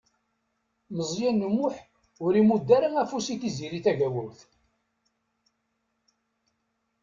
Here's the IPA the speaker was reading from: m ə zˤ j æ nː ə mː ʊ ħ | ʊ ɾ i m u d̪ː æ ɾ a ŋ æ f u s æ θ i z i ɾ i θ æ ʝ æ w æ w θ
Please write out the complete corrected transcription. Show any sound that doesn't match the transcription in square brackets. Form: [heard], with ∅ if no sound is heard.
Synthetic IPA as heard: m ə zˤ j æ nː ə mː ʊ ħ | ʊ ɾ i m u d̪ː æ ɾ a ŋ æ f u s [i] θ i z i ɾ i θ æ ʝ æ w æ w θ